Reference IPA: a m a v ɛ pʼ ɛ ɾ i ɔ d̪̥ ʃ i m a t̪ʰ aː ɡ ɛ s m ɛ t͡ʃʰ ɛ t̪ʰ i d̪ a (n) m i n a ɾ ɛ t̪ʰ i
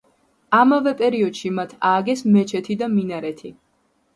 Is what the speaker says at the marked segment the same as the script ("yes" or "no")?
no